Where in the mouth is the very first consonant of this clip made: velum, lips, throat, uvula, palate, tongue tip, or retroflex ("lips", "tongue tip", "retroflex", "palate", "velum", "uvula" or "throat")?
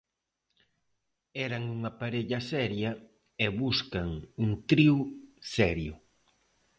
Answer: tongue tip